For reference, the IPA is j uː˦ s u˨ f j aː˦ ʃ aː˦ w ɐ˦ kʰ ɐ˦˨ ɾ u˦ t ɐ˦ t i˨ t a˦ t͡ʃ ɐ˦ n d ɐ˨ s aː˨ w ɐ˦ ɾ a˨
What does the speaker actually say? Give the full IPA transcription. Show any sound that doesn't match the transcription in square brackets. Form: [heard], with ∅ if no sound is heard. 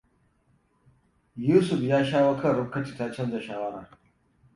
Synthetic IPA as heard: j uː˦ s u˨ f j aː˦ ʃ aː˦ w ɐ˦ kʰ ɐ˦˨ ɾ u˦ [k] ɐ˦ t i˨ t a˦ t͡ʃ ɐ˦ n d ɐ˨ [ʃ] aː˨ w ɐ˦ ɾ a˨